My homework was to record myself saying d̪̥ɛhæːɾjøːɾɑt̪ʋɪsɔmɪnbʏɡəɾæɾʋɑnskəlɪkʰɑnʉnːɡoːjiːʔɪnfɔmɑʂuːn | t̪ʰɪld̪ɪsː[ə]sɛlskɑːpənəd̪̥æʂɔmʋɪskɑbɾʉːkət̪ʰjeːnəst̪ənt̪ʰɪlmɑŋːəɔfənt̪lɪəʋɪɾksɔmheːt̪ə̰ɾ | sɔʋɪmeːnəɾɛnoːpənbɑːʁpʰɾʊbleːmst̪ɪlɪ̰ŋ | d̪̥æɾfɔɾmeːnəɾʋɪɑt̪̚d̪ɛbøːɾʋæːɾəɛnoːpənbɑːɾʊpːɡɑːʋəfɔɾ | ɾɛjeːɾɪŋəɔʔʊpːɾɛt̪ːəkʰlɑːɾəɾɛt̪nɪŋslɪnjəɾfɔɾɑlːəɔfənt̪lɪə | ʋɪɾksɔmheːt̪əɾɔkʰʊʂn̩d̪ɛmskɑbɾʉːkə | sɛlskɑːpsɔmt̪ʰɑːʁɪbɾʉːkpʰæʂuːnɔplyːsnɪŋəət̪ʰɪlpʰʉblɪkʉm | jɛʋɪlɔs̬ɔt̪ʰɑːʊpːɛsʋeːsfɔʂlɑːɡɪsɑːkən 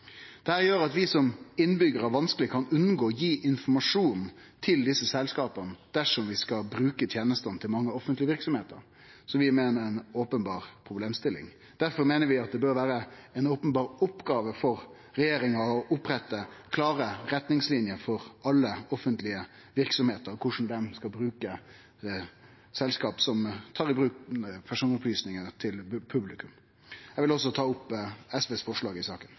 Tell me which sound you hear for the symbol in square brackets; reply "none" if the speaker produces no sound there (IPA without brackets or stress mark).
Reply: ə